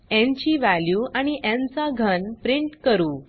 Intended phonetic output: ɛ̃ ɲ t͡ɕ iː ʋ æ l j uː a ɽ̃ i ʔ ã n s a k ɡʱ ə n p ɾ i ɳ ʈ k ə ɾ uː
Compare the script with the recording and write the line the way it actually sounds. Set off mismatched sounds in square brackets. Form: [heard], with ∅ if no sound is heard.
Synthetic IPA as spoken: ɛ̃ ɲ t͡ɕ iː ʋ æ l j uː a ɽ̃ i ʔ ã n [t͡s] a [∅] ɡʱ ə n p ɾ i ɳ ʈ k ə ɾ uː